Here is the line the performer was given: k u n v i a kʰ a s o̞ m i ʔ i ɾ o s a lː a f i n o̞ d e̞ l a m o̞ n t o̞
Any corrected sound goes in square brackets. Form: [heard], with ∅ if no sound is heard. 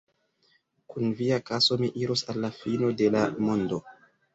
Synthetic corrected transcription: k u n v i a [k] a s o̞ m i ʔ i ɾ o s a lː a f i n o̞ d e̞ l a m o̞ n [d] o̞